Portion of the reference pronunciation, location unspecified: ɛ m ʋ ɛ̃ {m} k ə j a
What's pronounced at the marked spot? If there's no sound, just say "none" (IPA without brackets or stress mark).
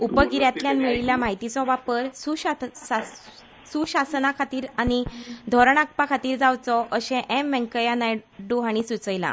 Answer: ŋ